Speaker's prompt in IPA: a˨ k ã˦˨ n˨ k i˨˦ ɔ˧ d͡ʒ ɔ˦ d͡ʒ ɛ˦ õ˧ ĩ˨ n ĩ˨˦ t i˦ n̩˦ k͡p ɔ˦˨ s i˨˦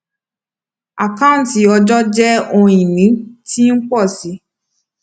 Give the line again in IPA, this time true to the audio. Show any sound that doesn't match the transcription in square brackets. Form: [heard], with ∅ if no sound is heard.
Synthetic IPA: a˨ k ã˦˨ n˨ [t] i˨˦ ɔ˧ d͡ʒ ɔ˦ d͡ʒ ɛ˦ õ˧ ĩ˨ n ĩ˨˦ t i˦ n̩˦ k͡p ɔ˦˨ s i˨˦